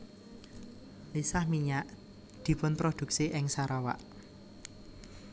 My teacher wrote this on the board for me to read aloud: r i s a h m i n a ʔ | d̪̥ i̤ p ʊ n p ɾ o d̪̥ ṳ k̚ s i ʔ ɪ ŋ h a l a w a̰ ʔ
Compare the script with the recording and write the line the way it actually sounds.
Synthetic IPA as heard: l i s a h m i ɲ a ʔ | d̪̥ i̤ p ʊ n p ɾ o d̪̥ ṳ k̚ s i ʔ ɪ ŋ s a ɾ a w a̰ ʔ